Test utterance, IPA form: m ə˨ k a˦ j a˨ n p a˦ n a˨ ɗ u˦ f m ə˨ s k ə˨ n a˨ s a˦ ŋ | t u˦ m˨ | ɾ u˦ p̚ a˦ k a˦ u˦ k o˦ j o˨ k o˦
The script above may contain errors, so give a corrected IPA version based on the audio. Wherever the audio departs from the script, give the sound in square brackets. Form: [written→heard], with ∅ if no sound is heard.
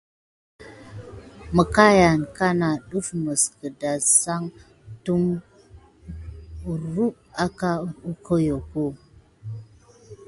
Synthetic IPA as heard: m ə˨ k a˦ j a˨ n [p→k] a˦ n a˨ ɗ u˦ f m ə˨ s k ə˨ [n→d] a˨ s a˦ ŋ | t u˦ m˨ | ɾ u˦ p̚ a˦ k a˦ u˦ k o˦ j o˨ k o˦